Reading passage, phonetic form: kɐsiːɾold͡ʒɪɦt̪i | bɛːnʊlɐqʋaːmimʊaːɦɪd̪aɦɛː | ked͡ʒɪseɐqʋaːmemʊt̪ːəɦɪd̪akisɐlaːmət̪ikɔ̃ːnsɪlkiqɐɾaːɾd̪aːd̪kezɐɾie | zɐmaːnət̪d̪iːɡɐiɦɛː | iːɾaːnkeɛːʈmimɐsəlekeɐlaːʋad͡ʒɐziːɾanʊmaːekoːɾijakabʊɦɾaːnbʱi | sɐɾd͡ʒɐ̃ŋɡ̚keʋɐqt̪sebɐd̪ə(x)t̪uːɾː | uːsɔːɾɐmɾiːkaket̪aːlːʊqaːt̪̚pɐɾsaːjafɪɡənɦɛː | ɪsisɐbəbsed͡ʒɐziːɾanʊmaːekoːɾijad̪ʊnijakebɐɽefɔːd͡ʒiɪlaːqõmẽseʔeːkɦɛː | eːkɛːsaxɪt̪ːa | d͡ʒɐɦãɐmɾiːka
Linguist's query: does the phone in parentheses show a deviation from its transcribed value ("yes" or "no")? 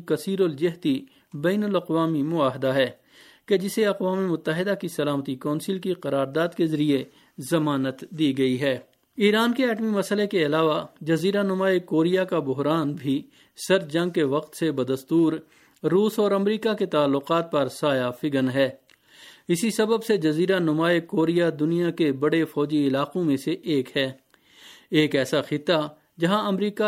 yes